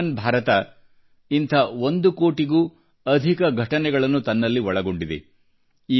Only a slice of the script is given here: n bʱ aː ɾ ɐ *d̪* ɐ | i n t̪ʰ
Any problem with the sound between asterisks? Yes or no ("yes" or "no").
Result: yes